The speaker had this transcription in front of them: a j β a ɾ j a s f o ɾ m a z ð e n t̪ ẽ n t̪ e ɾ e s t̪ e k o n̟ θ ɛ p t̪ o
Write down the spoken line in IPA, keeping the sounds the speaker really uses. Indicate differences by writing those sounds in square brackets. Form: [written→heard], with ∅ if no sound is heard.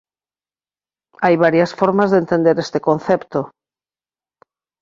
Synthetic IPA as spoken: a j β a ɾ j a s f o ɾ m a z ð e n t̪ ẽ n [t̪→d̪] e ɾ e s t̪ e k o n̟ θ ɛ p t̪ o